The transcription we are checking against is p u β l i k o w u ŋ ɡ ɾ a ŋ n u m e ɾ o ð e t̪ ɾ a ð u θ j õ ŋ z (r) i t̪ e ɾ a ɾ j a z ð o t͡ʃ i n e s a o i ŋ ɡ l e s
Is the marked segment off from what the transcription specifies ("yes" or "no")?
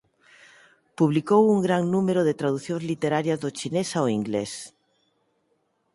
yes